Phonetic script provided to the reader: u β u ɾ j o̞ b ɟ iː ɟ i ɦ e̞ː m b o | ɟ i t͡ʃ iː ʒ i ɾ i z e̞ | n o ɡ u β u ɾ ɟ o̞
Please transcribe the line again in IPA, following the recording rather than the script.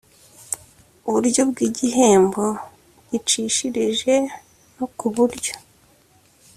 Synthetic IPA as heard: u β u ɾ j o̞ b ɡ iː ɟ i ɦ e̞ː m b o | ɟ i t͡ʃ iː ʃ i ɾ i ʒ e̞ | n o k u β u ɾ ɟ o̞